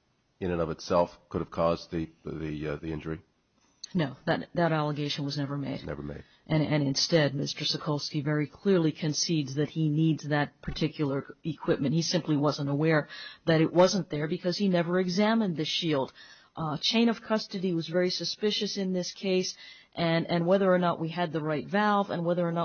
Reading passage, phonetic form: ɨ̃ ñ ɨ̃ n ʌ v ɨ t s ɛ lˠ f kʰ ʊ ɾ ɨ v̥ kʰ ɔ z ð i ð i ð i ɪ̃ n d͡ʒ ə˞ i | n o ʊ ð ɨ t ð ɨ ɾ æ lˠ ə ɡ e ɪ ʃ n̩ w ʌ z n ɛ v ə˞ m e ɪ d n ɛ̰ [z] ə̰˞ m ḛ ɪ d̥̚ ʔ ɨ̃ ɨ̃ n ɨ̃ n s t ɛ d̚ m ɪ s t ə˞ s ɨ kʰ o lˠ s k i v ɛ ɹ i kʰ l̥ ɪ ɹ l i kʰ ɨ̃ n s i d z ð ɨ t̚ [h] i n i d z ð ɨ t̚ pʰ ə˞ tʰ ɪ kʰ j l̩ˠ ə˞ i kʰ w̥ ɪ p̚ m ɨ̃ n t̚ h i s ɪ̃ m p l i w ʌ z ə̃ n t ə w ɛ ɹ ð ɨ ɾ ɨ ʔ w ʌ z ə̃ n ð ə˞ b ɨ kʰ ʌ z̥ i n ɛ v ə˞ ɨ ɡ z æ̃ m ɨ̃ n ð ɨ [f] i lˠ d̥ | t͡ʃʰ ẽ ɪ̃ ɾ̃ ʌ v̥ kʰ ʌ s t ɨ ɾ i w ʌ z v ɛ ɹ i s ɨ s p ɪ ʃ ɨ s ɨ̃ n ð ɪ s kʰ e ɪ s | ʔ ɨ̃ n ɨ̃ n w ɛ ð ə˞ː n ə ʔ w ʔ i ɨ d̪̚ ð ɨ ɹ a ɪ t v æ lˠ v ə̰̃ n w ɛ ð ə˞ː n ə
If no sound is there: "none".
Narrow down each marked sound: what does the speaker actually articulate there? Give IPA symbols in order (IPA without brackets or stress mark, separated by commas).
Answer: v, h, ʃ